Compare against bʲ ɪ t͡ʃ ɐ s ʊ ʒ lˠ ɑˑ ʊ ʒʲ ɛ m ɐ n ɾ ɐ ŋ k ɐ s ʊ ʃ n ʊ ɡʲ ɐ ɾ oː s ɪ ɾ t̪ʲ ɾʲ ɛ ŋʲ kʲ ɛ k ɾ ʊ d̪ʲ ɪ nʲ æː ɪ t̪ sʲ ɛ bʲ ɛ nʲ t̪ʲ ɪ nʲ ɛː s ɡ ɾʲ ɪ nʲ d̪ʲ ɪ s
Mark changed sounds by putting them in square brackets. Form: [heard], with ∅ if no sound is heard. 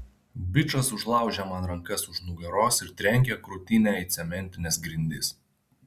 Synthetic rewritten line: bʲ ɪ t͡ʃ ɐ s ʊ ʒ lˠ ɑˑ ʊ ʒʲ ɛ m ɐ n ɾ ɐ ŋ k ɐ s ʊ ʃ n ʊ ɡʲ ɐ ɾ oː s ɪ ɾ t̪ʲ ɾʲ ɛ ŋʲ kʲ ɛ k ɾ ʊ [t̪ʲ] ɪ nʲ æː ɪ t̪ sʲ ɛ [mʲ] ɛ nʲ t̪ʲ ɪ nʲ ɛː s ɡ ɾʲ ɪ nʲ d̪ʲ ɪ s